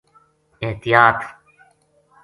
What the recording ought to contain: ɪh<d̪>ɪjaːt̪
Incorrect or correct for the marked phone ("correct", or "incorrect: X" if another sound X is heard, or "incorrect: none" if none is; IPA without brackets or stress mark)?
incorrect: t̪